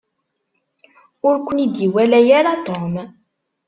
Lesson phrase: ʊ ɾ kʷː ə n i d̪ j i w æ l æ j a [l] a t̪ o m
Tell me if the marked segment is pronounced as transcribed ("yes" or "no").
no